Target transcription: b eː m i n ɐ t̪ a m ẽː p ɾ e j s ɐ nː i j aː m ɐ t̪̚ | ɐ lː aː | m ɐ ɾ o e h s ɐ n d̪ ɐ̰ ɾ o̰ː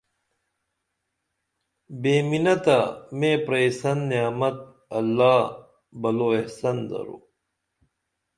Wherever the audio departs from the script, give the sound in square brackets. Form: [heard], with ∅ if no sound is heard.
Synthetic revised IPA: b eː m i n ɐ t̪ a m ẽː p ɾ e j s ɐ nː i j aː m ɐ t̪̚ | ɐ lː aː | [b] ɐ [l] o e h s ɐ n d̪ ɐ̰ ɾ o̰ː